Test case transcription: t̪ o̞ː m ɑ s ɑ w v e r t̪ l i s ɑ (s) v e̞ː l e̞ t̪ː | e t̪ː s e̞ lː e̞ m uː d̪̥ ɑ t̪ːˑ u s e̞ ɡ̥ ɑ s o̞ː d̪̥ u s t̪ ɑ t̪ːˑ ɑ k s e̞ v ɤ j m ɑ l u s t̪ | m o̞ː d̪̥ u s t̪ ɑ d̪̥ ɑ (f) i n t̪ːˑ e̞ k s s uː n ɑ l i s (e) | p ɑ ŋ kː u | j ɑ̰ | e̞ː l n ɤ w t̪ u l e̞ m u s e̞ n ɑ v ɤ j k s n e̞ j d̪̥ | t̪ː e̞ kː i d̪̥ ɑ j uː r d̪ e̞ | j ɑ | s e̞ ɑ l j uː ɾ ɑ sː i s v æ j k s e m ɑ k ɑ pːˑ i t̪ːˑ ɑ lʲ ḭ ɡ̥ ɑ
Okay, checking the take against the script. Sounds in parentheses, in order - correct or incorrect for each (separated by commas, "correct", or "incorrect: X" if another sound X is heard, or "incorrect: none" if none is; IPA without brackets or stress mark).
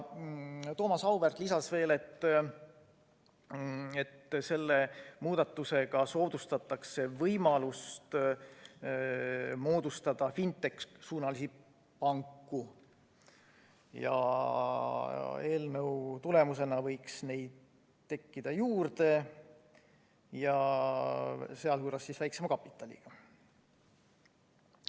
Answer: correct, correct, incorrect: i